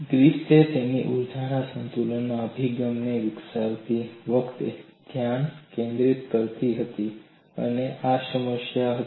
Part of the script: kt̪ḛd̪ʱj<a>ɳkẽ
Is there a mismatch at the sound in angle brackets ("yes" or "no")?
no